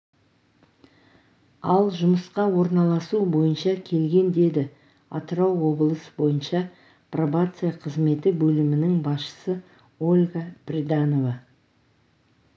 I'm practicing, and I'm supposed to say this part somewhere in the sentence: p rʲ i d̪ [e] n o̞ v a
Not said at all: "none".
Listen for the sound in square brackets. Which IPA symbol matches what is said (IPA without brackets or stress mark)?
a